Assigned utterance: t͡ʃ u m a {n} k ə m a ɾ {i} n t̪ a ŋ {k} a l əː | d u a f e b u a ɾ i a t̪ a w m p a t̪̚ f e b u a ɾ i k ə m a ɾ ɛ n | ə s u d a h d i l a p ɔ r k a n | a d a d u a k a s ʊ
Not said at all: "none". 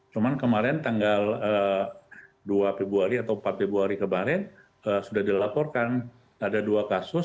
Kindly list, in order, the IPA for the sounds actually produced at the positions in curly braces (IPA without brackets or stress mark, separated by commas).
n, ɛ, ɡ